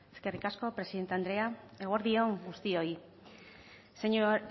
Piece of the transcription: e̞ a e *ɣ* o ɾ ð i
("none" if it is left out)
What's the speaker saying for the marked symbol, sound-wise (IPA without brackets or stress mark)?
ɣ